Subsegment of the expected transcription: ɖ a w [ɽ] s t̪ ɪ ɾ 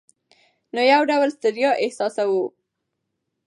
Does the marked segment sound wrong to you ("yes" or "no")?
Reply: yes